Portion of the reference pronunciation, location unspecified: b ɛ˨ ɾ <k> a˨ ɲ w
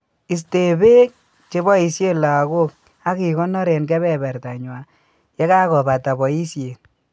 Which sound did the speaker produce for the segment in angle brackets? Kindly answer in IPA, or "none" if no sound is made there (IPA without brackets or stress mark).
t